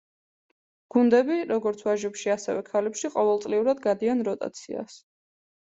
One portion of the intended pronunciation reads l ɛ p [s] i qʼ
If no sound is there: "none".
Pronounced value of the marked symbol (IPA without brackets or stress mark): ʃ